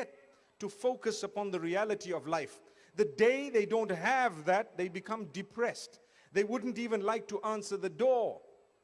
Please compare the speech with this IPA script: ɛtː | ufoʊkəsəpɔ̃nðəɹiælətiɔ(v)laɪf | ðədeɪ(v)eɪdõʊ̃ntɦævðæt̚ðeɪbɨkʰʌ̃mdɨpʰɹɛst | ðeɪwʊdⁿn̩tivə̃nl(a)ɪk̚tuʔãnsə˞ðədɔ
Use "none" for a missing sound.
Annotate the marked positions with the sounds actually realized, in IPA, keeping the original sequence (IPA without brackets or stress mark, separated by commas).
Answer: v, ð, a